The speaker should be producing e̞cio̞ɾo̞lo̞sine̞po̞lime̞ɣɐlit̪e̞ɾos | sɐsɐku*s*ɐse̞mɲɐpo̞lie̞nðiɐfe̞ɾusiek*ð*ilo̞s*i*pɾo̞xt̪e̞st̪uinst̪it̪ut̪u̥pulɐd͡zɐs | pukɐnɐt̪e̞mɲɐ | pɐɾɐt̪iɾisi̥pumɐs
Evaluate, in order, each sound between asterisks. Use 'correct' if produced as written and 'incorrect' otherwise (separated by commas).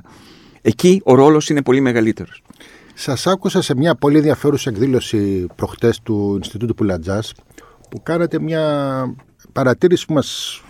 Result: correct, correct, correct